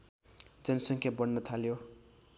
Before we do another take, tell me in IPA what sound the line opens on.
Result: d͡z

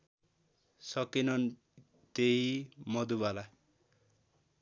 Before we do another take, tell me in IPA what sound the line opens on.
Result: s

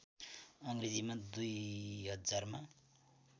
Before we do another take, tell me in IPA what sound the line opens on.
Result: ʌ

